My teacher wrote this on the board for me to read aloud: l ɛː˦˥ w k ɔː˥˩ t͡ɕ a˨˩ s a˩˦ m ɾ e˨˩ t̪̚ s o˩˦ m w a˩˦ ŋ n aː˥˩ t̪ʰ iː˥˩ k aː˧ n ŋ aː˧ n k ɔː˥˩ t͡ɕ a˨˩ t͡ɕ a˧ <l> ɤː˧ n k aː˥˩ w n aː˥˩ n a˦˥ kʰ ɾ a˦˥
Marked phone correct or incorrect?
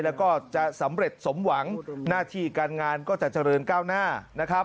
incorrect